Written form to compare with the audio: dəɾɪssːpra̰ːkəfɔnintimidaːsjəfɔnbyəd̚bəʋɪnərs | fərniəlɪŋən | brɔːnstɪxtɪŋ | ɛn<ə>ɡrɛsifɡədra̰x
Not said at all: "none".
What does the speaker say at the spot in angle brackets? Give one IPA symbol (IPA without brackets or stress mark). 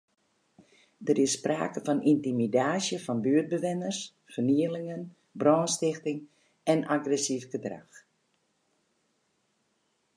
a